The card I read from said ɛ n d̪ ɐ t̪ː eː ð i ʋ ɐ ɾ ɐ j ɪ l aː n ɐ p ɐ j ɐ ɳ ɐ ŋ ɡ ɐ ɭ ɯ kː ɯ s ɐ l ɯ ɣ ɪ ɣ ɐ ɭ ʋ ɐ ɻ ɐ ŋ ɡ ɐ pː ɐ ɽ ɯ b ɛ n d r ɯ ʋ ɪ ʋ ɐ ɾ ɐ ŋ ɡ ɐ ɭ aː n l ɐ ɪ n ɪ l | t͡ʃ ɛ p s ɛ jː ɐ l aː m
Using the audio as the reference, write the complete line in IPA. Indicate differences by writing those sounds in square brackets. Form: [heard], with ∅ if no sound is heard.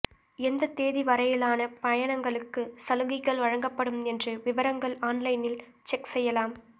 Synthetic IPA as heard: ɛ n d̪ ɐ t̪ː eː ð i ʋ ɐ ɾ ɐ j ɪ l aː n ɐ p ɐ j ɐ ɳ ɐ ŋ ɡ ɐ ɭ ɯ kː ɯ s ɐ l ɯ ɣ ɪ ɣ ɐ ɭ ʋ ɐ ɻ ɐ ŋ ɡ ɐ pː ɐ ɽ ɯ [m] ɛ n d r ɯ ʋ ɪ ʋ ɐ ɾ ɐ ŋ ɡ ɐ ɭ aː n l ɐ ɪ n ɪ l | t͡ʃ ɛ [k] s ɛ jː ɐ l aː m

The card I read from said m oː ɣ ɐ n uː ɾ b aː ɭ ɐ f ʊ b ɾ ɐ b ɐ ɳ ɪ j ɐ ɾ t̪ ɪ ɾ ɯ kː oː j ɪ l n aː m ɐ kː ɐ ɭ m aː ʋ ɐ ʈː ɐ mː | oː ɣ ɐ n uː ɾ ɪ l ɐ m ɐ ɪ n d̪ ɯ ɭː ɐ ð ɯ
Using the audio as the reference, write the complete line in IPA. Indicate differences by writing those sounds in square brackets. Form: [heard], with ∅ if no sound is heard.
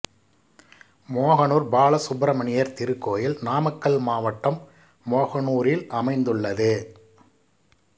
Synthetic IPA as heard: m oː ɣ ɐ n uː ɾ b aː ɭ ɐ [s] ʊ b ɾ ɐ [m] ɐ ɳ ɪ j ɐ ɾ t̪ ɪ ɾ ɯ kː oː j ɪ l n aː m ɐ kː ɐ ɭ m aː ʋ ɐ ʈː ɐ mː | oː ɣ ɐ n uː ɾ ɪ l ɐ m ɐ ɪ n d̪ ɯ ɭː ɐ ð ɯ

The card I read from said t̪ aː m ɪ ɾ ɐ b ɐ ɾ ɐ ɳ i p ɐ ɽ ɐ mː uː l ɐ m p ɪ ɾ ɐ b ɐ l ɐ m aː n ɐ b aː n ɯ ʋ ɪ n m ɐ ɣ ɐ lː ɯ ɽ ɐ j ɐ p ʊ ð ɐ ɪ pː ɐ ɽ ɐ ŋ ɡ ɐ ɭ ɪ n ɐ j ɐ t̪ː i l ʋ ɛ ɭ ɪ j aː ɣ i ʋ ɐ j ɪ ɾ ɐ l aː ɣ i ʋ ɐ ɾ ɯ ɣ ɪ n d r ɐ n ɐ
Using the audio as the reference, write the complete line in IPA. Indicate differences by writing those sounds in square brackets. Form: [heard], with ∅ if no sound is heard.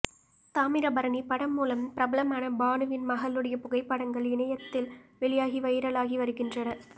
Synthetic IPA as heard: t̪ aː m ɪ ɾ ɐ b ɐ ɾ ɐ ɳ i p ɐ ɽ ɐ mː uː l ɐ m p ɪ ɾ ɐ b ɐ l ɐ m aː n ɐ b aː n ɯ ʋ ɪ n m ɐ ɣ ɐ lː ɯ ɽ ɐ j ɐ p ʊ [ɣ] ɐ ɪ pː ɐ ɽ ɐ ŋ ɡ ɐ ɭ ɪ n ɐ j ɐ t̪ː [ɪ] l ʋ ɛ ɭ ɪ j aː ɣ i ʋ ɐ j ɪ ɾ ɐ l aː ɣ i ʋ ɐ ɾ ɯ ɣ ɪ n d r ɐ n ɐ

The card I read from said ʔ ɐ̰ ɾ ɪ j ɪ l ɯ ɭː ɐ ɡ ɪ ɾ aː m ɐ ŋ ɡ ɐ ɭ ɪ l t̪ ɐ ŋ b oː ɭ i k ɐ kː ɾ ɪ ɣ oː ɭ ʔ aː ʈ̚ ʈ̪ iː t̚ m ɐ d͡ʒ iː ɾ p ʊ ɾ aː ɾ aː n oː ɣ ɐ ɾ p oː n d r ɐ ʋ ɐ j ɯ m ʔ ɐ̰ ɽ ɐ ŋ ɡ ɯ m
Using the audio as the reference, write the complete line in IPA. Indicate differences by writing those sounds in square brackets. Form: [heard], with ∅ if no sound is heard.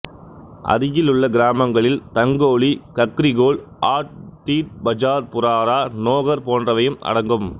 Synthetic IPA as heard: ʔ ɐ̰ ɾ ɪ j ɪ l ɯ ɭː ɐ ɡ ɪ ɾ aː m ɐ ŋ ɡ ɐ ɭ ɪ l t̪ ɐ ŋ [ɡ] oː ɭ i k ɐ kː ɾ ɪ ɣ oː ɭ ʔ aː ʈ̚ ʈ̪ iː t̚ [b] ɐ d͡ʒ [aː] ɾ p ʊ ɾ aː ɾ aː n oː ɣ ɐ ɾ p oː n d r ɐ ʋ ɐ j ɯ m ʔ ɐ̰ ɽ ɐ ŋ ɡ ɯ m

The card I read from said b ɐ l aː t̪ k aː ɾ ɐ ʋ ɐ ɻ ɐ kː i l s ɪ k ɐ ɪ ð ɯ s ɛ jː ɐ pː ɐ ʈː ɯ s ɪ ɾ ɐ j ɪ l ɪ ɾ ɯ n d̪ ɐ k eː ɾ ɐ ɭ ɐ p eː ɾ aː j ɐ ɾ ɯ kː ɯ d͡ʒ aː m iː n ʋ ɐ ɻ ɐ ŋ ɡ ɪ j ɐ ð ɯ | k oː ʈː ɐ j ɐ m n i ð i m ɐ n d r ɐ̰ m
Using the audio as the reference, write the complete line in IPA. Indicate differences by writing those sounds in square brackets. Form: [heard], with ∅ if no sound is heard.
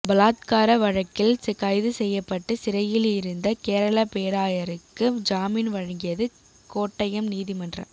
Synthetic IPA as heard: b ɐ l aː t̪ k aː ɾ ɐ ʋ ɐ ɻ ɐ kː [ɪ] l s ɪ k ɐ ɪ ð ɯ s ɛ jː ɐ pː ɐ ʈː ɯ s ɪ ɾ ɐ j ɪ l ɪ ɾ ɯ n d̪ ɐ k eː ɾ ɐ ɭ ɐ p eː ɾ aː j ɐ ɾ ɯ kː ɯ d͡ʒ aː m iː n ʋ ɐ ɻ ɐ ŋ ɡ ɪ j ɐ ð ɯ | k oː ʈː ɐ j ɐ m n [iː] ð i m ɐ n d r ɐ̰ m

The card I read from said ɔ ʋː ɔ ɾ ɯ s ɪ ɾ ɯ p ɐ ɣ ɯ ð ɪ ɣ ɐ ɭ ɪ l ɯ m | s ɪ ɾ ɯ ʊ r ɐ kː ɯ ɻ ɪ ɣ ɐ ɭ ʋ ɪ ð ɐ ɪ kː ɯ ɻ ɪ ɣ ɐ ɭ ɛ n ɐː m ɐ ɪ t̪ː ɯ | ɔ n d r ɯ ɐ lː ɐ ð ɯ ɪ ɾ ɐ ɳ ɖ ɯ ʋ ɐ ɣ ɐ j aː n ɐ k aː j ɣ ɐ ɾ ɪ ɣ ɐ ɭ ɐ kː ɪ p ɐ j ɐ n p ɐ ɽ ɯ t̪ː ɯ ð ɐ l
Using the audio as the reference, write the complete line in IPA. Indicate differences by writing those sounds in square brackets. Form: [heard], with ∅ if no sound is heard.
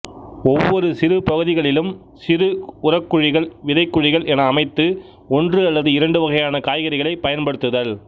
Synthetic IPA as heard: ɔ ʋː ɔ ɾ ɯ s ɪ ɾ ɯ p ɐ ɣ ɯ ð ɪ ɣ ɐ ɭ ɪ l ɯ m | s ɪ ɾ ɯ ʊ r ɐ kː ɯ ɻ ɪ ɣ ɐ ɭ ʋ ɪ ð ɐ ɪ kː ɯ ɻ ɪ ɣ ɐ ɭ ɛ n ɐː m ɐ ɪ t̪ː ɯ | ɔ n d r ɯ ɐ lː ɐ ð ɯ ɪ ɾ ɐ ɳ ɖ ɯ ʋ ɐ ɣ ɐ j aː n ɐ k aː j ɣ ɐ ɾ ɪ ɣ ɐ ɭ ɐ [∅] ɪ p ɐ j ɐ n p ɐ ɽ ɯ t̪ː ɯ ð ɐ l

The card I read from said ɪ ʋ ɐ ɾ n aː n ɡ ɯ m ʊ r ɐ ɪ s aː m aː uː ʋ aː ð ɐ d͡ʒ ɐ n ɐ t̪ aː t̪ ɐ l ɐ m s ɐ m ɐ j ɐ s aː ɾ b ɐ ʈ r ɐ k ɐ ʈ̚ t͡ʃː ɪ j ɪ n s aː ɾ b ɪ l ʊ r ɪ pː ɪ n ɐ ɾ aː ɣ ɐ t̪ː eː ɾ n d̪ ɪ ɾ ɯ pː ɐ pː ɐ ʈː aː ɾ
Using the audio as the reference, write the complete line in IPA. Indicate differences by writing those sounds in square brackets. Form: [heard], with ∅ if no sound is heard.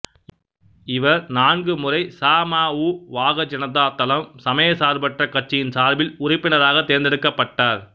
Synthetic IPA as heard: ɪ ʋ ɐ ɾ n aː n ɡ ɯ m ʊ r ɐ ɪ s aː m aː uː ʋ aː [ɣ] ɐ d͡ʒ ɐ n ɐ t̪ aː t̪ ɐ l ɐ m s ɐ m ɐ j ɐ s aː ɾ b ɐ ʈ r ɐ k ɐ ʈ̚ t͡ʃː ɪ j ɪ n s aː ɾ b ɪ l ʊ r ɪ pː ɪ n ɐ ɾ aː ɣ ɐ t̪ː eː ɾ n d̪ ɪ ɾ ɯ [kː] ɐ pː ɐ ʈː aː ɾ

